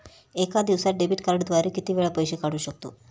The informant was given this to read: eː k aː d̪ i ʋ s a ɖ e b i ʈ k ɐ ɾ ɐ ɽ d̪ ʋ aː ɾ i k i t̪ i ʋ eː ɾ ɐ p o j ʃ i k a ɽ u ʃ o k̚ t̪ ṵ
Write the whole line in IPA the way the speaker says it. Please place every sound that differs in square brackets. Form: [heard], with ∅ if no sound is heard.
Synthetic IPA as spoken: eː k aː d̪ i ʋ s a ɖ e b i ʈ k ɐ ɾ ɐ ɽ d̪ ʋ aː ɾ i k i t̪ i ʋ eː [ɭ] ɐ p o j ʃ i k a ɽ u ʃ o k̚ t̪ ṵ